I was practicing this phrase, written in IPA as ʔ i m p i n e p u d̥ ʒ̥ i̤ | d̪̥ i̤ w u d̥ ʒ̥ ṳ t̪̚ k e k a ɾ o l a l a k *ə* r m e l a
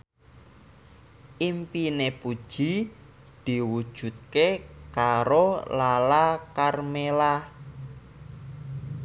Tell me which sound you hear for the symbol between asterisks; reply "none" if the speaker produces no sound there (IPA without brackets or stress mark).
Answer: a